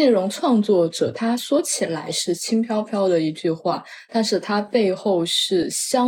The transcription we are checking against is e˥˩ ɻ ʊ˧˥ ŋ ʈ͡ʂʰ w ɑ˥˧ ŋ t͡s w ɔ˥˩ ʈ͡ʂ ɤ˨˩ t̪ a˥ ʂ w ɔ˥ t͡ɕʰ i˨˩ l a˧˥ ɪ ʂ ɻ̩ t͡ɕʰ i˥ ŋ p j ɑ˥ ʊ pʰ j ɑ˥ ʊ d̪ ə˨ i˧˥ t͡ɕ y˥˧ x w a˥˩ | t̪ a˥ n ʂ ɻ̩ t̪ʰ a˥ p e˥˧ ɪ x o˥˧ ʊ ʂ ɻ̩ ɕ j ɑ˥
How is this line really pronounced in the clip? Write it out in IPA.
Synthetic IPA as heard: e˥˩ ɻ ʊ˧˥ ŋ ʈ͡ʂʰ w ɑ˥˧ ŋ t͡s w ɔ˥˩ ʈ͡ʂ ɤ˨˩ t̪ʰ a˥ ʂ w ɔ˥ t͡ɕʰ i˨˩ l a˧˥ ɪ ʂ ɻ̩ t͡ɕʰ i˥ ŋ pʰ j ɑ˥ ʊ pʰ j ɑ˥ ʊ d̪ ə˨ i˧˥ t͡ɕ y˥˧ x w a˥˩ | t̪ a˥˧ n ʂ ɻ̩ t̪ʰ a˥ p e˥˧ ɪ x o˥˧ ʊ ʂ ɻ̩ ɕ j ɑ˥